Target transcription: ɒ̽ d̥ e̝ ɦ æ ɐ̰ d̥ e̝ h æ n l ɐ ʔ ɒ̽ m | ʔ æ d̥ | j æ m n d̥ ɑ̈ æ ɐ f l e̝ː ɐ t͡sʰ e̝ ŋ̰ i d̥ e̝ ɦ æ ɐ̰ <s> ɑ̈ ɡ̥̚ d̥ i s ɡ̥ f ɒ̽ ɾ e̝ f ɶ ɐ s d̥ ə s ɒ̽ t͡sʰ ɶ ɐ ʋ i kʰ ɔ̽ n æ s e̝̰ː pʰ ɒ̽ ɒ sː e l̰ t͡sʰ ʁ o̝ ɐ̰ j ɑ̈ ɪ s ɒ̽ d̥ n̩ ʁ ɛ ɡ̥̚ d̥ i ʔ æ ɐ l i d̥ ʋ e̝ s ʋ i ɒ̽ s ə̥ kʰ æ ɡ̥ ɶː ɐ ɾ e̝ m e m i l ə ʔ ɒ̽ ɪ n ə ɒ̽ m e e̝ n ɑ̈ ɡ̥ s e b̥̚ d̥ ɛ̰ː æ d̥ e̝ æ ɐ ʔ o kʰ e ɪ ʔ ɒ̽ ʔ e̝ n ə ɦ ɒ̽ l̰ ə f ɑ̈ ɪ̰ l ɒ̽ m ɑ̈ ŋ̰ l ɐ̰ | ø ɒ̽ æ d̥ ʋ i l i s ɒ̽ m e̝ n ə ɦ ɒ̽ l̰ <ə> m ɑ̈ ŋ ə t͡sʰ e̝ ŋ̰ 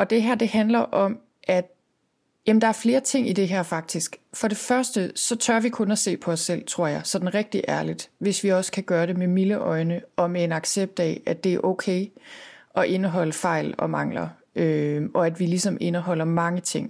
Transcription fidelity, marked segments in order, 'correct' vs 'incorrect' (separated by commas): incorrect, incorrect